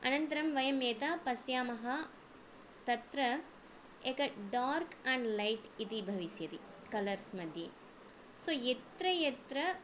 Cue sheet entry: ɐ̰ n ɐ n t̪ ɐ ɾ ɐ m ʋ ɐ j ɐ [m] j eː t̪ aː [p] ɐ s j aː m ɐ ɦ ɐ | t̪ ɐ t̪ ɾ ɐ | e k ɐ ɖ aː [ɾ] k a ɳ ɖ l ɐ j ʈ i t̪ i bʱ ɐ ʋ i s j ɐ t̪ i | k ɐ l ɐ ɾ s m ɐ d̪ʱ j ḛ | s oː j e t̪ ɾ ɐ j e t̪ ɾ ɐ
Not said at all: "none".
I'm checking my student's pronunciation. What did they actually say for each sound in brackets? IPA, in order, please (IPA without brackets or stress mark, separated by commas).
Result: m, p, ɾ